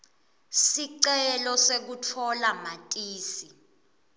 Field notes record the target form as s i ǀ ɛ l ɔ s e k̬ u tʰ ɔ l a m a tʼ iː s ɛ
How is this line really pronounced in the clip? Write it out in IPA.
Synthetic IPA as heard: s i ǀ ɛ l ɔ s e k̬ u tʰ ɔ l a m a tʼ iː s i